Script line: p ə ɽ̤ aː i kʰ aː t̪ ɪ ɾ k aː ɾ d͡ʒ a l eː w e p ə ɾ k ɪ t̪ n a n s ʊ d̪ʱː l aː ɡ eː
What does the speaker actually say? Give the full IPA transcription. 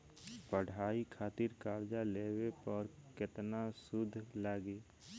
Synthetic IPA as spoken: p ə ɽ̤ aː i kʰ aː t̪ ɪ ɾ k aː ɾ d͡ʒ a l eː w e p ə ɾ k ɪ t̪ n a s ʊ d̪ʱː l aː ɡ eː

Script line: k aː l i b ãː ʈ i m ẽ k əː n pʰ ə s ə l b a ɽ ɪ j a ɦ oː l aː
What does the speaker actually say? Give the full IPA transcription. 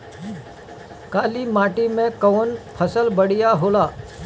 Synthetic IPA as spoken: k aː l i m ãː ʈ i m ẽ k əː n pʰ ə s ə l b ə ɽ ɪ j a ɦ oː l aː

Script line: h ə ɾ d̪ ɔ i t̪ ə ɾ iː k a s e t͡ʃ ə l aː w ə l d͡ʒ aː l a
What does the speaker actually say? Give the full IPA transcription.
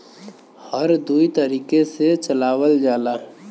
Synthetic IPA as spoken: h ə ɾ d̪ u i t̪ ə ɾ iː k e s e t͡ʃ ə l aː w ə l d͡ʒ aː l a

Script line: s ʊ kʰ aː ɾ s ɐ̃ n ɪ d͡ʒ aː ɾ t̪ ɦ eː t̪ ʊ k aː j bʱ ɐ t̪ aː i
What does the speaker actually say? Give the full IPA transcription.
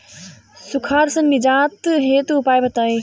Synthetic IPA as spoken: s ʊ kʰ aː ɾ s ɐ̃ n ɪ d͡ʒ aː t̪ ɦ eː t̪ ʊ p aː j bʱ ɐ t̪ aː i

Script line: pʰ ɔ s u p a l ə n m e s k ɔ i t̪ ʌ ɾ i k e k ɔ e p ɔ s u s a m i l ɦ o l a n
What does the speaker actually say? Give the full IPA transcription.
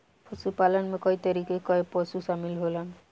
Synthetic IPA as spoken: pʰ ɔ s u p a l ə n m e k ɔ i t̪ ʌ ɾ i k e k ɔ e p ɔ s u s a m i l ɦ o l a n

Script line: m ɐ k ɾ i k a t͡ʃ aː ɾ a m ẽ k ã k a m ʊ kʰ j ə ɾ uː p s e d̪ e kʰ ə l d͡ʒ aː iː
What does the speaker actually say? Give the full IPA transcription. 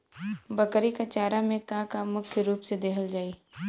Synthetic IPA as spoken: b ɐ k ɾ i k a t͡ʃ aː ɾ a m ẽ k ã k a m ʊ kʰ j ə ɾ uː p s e d̪ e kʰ ə l d͡ʒ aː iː

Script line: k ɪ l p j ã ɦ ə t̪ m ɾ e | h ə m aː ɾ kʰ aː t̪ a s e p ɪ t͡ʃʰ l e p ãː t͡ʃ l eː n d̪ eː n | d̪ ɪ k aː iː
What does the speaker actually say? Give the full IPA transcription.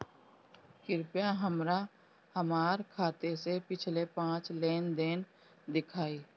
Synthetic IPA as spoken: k ɪ ɾ p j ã ɦ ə m ɾ a | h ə m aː ɾ kʰ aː t̪ e s e p ɪ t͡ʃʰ l e p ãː t͡ʃ l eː n d̪ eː n | d̪ ɪ kʰ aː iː

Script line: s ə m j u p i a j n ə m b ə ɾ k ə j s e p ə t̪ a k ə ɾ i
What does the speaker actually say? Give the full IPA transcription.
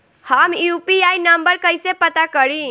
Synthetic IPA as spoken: h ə m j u p i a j n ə m b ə ɾ k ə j s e p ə t̪ a k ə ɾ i

